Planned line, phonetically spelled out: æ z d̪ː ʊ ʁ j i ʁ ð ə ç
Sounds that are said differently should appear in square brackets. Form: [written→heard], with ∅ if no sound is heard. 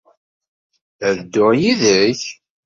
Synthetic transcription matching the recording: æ [z→ð] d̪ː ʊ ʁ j i [ʁ→∅] ð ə ç